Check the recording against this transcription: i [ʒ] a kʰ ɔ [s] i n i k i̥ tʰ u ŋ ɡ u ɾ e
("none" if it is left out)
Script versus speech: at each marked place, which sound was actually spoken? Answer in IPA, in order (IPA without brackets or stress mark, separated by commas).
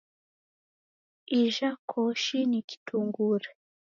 ʒ, ʃ